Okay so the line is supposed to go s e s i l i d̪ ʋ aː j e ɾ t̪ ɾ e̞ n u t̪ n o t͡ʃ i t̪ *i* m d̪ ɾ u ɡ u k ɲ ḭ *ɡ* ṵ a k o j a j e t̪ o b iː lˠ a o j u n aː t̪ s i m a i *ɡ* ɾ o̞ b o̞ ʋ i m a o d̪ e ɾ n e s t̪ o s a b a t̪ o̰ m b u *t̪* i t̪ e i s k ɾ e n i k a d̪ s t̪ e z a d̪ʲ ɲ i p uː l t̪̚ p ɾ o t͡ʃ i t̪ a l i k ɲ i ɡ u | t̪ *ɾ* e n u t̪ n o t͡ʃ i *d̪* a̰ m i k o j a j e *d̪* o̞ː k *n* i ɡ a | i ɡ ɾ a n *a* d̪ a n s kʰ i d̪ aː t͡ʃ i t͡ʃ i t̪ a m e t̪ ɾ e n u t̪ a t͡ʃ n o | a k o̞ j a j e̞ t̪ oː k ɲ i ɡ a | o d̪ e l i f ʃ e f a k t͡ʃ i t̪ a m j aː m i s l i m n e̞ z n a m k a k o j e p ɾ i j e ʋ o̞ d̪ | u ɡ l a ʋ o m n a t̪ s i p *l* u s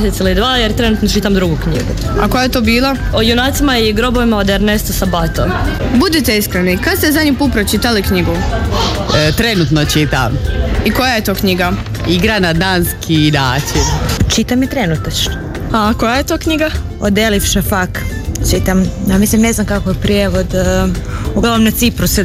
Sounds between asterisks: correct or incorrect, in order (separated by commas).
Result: incorrect, correct, correct, incorrect, correct, incorrect, incorrect, incorrect, correct, incorrect